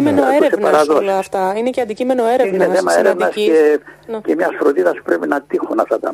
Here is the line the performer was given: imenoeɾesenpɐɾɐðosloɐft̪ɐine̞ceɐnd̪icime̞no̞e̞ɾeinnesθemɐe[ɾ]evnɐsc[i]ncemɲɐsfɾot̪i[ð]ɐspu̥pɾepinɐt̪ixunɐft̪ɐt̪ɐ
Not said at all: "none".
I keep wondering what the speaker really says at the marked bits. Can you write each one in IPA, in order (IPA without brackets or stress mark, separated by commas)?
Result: ɾ, e, ð